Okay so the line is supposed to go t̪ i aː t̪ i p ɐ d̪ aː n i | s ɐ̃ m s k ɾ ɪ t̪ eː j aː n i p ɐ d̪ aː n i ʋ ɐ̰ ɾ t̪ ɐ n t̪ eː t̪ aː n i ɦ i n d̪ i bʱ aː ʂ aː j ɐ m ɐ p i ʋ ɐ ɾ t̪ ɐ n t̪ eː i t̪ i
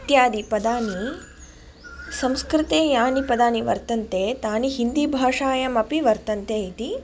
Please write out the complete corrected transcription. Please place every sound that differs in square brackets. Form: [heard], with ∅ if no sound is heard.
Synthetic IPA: t̪ [j] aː [d̪] i p ɐ d̪ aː n i | s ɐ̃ m s k ɾ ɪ t̪ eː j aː n i p ɐ d̪ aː n i ʋ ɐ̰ ɾ t̪ ɐ n t̪ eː t̪ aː n i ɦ i n d̪ i bʱ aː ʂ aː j ɐ m ɐ p i ʋ ɐ ɾ t̪ ɐ n t̪ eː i t̪ i